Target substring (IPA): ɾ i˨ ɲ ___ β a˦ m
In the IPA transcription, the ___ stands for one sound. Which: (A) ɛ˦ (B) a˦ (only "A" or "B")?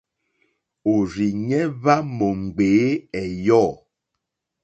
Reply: A